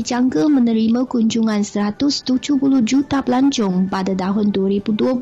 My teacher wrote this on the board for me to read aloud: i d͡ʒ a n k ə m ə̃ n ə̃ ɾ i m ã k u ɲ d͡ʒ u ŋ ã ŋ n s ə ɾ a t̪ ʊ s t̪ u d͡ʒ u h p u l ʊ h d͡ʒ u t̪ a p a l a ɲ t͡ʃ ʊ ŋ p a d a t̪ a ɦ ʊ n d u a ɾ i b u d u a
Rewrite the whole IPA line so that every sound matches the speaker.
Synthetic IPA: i d͡ʒ a ŋ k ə m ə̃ n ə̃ ɾ i m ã k u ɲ d͡ʒ u ŋ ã n s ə ɾ a t̪ ʊ s t̪ u d͡ʒ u h p u l ʊ h d͡ʒ u t̪ a p ə l a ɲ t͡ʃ ʊ ŋ p a d a t̪ a ɦ ʊ n d u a ɾ i b u d u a